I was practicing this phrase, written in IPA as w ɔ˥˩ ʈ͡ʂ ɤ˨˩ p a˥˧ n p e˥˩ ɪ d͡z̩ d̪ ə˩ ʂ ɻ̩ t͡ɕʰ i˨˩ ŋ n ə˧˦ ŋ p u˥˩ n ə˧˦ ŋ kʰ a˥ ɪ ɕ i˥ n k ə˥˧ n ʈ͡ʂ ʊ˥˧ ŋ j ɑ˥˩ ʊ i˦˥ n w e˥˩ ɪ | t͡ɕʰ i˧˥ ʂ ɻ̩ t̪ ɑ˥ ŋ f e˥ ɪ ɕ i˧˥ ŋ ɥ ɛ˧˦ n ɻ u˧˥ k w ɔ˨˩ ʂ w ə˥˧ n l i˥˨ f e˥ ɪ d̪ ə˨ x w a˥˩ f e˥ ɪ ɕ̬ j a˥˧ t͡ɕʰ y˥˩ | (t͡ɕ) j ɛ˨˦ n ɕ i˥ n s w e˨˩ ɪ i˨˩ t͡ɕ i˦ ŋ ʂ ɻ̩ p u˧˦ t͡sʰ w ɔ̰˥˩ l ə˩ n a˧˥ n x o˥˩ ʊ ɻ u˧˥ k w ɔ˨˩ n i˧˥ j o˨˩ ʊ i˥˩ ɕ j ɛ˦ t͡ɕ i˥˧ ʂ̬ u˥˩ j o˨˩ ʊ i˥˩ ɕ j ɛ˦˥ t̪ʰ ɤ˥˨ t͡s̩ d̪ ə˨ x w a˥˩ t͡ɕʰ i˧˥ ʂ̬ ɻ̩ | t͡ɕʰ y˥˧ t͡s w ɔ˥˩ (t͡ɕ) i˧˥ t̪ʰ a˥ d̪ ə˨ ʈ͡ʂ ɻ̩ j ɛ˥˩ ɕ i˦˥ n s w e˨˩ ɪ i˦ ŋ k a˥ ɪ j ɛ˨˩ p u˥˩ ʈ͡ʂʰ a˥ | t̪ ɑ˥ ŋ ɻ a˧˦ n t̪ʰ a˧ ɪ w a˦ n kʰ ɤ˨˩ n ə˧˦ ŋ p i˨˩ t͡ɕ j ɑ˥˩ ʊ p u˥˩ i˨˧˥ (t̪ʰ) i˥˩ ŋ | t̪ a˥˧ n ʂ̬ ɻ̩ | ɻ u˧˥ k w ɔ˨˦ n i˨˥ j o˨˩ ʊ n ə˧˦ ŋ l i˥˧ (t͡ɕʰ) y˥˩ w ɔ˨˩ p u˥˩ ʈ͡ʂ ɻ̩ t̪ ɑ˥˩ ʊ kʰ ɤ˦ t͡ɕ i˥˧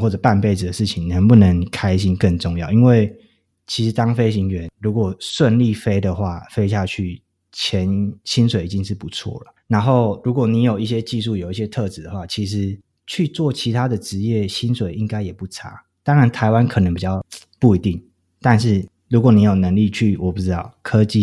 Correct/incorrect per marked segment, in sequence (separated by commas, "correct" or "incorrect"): incorrect, incorrect, incorrect, correct